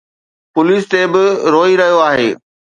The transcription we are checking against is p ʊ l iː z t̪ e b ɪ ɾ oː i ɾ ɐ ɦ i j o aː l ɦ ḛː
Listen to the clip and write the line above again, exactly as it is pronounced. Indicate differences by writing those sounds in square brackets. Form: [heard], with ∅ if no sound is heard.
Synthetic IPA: p ʊ l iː [s] t̪ e b ɪ ɾ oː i ɾ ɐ ɦ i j o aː [∅] ɦ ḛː